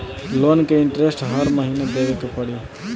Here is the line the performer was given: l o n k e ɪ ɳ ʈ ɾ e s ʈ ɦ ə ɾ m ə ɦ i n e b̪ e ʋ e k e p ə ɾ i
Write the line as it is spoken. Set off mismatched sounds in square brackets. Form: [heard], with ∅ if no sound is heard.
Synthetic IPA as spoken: l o n k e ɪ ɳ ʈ ɾ e s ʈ ɦ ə ɾ m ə ɦ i n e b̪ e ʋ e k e p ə [ɽ] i